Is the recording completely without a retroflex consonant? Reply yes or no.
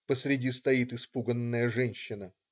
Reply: no